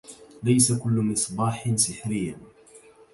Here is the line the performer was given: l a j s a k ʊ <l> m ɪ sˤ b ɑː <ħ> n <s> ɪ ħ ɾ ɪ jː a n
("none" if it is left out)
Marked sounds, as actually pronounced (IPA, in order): lː, ħ, s

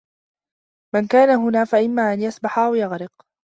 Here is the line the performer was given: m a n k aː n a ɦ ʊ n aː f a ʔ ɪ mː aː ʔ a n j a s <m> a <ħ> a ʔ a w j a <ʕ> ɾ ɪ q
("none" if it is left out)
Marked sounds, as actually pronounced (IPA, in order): b, ħ, ɣ

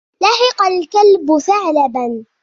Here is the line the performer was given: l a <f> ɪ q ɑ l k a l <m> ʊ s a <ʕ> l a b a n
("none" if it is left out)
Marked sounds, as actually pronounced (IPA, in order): ħ, b, ʕ

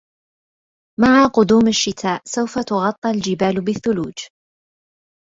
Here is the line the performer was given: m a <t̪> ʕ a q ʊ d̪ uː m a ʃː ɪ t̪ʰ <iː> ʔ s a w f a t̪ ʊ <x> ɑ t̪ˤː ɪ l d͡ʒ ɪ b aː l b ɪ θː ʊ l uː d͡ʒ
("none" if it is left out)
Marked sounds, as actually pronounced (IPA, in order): none, aː, ɣ

